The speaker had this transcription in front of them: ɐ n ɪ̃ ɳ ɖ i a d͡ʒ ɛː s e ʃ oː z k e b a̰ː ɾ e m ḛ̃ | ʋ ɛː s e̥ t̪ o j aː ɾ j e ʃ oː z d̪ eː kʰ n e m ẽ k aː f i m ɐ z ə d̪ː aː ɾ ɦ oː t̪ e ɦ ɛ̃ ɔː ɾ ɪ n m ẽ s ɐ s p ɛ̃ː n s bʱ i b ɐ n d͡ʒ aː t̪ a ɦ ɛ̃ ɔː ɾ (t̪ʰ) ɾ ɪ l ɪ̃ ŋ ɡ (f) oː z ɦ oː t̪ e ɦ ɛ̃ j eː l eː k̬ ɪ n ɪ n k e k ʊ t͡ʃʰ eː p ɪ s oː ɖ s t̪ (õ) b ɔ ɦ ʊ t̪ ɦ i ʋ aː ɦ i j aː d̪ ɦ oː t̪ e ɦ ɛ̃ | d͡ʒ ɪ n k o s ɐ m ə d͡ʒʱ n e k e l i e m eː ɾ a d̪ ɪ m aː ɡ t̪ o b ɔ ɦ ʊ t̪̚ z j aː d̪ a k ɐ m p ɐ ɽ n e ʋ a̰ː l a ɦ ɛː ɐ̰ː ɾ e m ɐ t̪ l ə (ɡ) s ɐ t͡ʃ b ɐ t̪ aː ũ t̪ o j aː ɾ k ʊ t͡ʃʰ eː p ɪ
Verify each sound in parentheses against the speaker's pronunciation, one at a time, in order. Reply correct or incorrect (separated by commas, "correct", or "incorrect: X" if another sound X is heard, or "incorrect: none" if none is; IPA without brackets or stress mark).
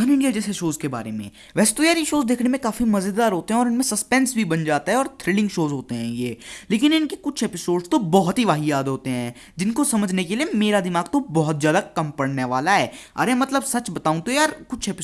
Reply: correct, incorrect: ʃ, incorrect: o, incorrect: b